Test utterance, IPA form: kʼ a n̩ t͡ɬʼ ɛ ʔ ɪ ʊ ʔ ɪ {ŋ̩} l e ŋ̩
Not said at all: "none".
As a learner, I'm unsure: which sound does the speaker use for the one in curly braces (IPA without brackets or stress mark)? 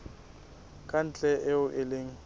none